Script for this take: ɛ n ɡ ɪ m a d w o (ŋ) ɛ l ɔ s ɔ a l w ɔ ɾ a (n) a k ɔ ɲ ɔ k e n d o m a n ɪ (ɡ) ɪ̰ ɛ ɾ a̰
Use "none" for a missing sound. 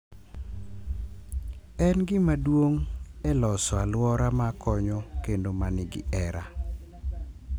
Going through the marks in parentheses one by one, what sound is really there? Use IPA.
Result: ŋ, m, ɡ

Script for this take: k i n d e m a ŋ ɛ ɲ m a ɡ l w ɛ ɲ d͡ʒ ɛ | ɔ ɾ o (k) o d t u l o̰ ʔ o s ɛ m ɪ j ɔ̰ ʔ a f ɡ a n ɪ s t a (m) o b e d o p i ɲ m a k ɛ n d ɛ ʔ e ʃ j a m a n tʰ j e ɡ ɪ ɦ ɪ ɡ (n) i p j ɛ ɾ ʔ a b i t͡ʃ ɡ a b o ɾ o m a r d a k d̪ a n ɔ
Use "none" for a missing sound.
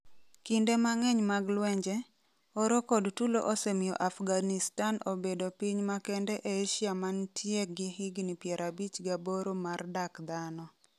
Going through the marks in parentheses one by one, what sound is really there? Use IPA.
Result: k, n, n

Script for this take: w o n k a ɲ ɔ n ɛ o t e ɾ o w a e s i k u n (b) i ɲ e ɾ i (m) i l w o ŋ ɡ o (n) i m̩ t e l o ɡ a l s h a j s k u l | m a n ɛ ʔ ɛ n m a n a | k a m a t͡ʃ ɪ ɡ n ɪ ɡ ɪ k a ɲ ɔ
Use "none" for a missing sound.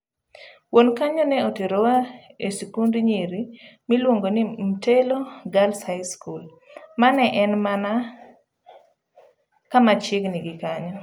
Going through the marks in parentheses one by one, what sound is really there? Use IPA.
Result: d, m, n

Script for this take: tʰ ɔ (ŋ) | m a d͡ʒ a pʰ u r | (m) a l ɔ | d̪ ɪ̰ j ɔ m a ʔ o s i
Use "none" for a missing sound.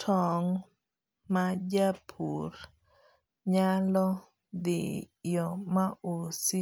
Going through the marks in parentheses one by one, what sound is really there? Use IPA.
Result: ŋ, ɲ

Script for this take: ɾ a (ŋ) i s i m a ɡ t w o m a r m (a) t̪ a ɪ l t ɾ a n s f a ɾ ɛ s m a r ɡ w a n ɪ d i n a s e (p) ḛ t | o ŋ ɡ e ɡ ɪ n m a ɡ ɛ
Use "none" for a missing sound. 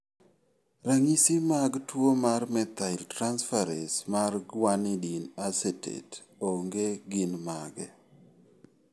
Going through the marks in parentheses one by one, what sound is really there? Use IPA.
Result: ŋ, ɛ, t

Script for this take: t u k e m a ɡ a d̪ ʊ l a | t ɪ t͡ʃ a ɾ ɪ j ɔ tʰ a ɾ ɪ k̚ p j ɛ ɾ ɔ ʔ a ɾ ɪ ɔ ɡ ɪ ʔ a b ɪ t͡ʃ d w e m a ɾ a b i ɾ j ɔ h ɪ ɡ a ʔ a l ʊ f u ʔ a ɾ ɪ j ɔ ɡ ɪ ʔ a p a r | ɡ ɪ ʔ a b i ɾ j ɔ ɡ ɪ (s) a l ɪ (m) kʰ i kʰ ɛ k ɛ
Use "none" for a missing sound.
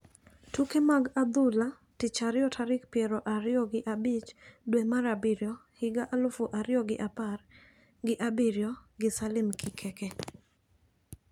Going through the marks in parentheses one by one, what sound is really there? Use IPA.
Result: s, m

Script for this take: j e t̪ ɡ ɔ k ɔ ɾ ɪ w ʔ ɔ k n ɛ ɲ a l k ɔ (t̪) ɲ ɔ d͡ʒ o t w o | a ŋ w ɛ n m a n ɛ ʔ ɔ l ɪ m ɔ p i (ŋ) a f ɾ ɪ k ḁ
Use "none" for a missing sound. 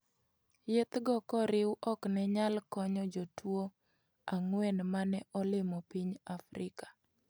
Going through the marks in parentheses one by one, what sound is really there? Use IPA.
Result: none, ɲ

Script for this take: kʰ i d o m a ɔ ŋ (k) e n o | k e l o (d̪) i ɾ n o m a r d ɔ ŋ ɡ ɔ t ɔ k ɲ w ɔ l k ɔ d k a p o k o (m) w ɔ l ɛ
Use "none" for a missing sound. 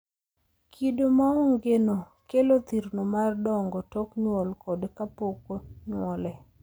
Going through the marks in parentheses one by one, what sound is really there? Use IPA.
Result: ɡ, t̪, ɲ

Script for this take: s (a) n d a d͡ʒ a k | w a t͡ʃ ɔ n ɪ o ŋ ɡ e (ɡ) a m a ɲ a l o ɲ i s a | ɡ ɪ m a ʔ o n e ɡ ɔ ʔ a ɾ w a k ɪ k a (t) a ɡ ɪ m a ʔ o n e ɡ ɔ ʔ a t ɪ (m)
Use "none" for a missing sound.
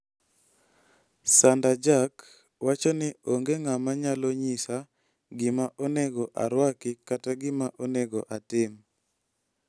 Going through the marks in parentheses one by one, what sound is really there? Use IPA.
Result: a, ŋ, t, m

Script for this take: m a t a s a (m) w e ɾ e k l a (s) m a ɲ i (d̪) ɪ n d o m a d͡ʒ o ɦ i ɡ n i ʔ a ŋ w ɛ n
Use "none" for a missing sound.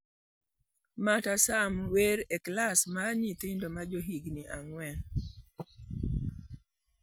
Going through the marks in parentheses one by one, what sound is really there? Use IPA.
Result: m, s, t̪

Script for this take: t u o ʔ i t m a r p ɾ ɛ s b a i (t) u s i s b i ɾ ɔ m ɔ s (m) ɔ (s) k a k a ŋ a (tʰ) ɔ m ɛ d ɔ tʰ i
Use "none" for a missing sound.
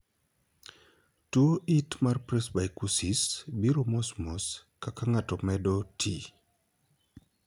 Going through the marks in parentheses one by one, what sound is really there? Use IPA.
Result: k, m, s, t

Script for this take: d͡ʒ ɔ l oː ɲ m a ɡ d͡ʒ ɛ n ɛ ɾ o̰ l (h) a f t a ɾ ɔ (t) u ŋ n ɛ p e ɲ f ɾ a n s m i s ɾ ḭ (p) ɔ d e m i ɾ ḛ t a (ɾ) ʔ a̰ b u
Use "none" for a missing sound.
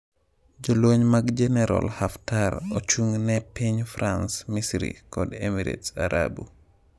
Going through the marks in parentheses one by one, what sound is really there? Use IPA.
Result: h, t͡ʃ, k, ɾ

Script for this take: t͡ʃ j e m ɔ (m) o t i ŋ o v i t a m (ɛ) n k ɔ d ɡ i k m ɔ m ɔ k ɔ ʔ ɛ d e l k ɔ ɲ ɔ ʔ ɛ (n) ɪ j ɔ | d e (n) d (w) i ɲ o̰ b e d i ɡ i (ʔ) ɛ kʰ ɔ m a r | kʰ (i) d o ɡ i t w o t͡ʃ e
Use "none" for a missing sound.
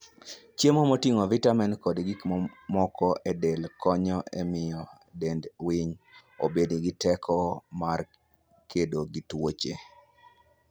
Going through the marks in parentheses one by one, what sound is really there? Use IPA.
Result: m, ɛ, m, n, w, t, e

